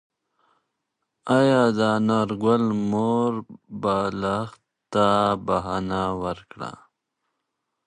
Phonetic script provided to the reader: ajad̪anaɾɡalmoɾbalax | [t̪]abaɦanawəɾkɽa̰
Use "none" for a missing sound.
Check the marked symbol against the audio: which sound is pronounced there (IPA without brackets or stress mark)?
t̪